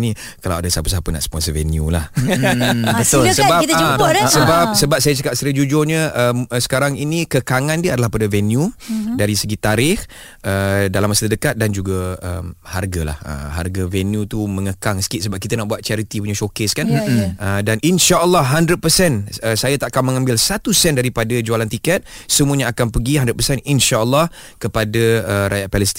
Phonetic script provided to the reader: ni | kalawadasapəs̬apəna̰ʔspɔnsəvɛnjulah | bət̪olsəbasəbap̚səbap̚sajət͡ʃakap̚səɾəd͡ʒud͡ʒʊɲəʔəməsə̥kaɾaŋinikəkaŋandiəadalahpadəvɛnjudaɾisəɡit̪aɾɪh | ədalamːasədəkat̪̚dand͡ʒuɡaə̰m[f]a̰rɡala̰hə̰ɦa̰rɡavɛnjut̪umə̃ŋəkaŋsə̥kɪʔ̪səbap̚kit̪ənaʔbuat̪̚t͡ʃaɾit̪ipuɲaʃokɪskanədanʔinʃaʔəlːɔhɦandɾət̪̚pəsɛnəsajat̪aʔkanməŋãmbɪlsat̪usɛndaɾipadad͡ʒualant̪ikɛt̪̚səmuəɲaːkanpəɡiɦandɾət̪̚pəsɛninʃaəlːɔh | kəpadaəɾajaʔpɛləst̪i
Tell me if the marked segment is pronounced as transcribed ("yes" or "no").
no